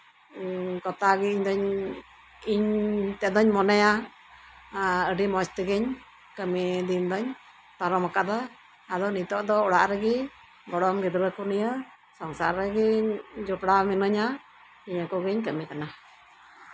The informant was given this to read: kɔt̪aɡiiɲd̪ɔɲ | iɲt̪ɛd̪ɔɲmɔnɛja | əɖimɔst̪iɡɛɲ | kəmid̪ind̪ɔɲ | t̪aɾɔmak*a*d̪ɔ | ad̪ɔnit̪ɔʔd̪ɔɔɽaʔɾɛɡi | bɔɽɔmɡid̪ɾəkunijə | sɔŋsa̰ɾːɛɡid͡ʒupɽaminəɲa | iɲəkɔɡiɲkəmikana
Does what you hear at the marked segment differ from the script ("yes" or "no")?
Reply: no